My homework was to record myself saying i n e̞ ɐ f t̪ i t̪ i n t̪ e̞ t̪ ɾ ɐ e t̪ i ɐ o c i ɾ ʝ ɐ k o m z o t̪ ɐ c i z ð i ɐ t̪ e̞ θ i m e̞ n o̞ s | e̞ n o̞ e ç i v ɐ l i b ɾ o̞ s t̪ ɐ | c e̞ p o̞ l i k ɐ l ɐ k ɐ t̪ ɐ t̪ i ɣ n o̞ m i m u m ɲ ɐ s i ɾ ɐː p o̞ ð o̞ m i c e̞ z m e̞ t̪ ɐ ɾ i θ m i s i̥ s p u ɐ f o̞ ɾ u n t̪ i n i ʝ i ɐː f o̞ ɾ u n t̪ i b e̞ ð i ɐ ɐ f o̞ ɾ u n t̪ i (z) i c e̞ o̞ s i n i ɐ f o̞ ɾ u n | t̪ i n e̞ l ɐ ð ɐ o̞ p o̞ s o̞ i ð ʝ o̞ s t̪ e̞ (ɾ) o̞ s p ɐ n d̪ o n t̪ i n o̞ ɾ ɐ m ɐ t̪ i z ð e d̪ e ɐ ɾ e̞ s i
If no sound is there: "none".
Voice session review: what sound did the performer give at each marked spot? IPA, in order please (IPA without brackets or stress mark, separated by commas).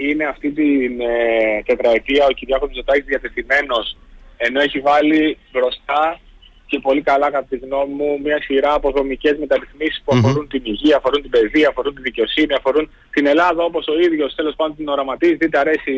ð, l